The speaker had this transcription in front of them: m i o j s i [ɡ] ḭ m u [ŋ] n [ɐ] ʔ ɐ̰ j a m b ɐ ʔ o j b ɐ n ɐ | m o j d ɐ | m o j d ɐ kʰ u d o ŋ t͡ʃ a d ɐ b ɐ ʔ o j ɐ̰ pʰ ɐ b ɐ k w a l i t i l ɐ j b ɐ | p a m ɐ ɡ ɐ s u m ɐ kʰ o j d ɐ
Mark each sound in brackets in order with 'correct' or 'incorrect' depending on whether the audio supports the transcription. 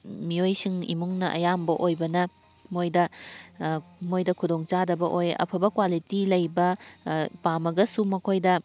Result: incorrect, correct, correct

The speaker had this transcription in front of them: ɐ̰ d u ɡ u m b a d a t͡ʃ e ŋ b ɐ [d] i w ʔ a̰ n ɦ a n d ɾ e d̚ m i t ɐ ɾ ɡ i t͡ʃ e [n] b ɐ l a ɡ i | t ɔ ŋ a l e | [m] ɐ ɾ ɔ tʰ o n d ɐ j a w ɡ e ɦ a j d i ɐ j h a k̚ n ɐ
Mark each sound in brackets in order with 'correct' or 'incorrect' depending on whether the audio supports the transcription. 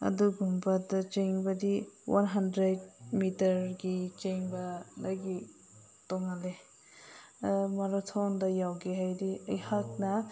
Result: correct, incorrect, correct

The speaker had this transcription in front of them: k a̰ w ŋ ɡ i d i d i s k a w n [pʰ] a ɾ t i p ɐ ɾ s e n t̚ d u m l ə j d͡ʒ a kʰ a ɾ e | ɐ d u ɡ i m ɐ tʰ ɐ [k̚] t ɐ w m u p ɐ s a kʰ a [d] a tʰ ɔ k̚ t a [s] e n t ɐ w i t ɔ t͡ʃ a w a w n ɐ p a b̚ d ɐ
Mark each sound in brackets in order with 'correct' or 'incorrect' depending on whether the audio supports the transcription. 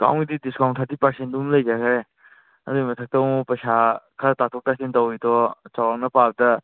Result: incorrect, correct, incorrect, correct

